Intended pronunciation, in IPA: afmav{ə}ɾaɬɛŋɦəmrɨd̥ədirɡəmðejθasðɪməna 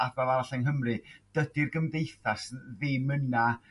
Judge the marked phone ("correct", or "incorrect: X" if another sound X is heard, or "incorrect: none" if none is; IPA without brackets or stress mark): incorrect: a